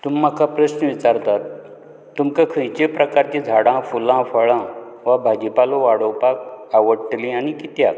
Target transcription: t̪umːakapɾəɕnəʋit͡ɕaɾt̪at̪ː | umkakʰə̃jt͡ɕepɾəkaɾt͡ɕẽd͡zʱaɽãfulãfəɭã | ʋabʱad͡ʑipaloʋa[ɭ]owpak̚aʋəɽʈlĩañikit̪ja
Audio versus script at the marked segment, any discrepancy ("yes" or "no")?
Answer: yes